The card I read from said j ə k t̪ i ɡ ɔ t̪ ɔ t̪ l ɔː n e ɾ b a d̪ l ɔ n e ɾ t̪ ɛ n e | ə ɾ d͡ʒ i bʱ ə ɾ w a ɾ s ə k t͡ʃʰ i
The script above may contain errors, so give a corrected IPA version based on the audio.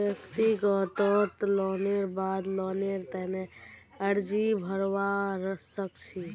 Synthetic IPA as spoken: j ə k t̪ i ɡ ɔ t̪ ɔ t̪ l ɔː n e ɾ b a d̪ l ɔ n e ɾ t̪ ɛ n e | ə ɾ d͡ʒ i bʱ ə ɾ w a ɾ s ə k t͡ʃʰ i